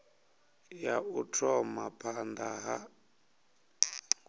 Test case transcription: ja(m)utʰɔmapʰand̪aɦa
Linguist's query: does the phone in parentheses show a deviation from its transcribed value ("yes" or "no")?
yes